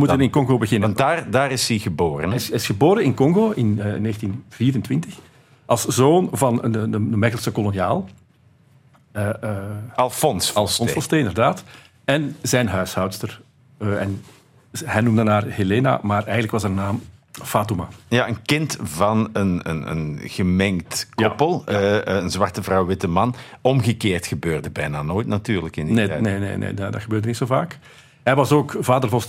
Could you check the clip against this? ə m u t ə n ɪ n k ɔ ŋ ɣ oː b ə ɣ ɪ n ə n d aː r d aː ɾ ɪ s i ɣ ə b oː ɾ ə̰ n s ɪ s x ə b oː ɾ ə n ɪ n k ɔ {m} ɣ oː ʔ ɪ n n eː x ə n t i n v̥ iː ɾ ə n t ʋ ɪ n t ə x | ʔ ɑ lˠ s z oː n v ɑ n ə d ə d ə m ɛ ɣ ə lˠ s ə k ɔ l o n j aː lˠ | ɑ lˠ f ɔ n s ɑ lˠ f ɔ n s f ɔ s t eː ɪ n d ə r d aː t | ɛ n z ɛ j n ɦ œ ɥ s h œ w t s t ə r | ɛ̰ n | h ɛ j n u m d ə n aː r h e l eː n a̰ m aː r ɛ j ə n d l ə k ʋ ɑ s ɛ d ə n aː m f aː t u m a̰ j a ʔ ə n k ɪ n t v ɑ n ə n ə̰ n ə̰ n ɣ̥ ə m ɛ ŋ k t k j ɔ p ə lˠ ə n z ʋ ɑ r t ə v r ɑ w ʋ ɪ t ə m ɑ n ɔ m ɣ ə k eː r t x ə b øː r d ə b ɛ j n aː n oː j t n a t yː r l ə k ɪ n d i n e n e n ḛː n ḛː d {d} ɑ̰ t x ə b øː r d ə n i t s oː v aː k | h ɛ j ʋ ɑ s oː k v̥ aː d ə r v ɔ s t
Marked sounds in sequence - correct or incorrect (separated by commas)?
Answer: incorrect, correct